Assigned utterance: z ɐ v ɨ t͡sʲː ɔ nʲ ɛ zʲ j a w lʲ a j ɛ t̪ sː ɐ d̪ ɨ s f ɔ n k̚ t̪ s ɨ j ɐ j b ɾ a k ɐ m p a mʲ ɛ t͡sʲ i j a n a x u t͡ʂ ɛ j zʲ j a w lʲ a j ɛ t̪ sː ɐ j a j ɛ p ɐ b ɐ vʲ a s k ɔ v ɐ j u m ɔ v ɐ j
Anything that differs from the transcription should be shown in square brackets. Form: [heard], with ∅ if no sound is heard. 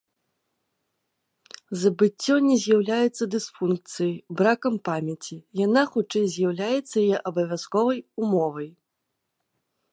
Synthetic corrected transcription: z ɐ [b] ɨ t͡sʲː ɔ nʲ ɛ zʲ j a w lʲ a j ɛ t̪ sː ɐ d̪ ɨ s f [u] n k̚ t̪ s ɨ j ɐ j b ɾ a k ɐ m p a mʲ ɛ t͡sʲ i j a n a x u t͡ʂ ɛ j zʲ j a w lʲ a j ɛ t̪ sː ɐ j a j ɛ [ʔ] ɐ b ɐ vʲ a s k ɔ v ɐ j u m ɔ v ɐ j